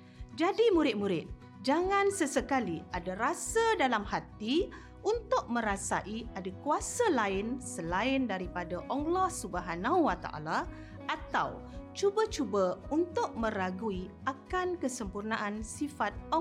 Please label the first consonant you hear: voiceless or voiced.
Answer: voiced